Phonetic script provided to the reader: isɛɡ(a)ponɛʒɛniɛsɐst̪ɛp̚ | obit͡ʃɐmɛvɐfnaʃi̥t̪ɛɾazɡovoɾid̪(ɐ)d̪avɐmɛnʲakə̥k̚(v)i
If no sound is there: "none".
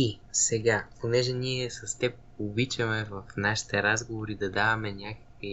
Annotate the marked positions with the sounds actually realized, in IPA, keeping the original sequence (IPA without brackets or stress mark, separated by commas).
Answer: a, ɐ, v